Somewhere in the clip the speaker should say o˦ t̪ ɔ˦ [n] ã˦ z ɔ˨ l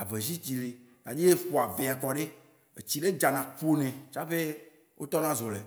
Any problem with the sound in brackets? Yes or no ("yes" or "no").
no